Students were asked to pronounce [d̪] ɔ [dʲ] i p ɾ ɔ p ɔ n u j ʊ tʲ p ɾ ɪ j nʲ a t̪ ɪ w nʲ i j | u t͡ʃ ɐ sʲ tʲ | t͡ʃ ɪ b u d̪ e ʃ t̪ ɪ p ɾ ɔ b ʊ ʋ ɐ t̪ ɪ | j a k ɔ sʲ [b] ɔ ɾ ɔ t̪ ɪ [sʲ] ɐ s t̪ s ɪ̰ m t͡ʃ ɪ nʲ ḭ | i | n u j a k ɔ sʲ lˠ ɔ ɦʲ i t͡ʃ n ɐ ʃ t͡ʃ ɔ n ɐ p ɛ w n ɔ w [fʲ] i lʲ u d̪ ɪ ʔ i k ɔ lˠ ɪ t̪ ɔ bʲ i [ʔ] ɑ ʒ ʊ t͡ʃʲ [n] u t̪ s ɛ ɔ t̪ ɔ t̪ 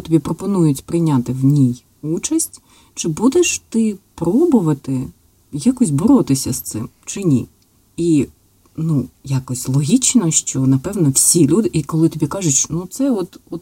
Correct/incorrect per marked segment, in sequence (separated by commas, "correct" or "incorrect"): incorrect, incorrect, correct, correct, incorrect, incorrect, correct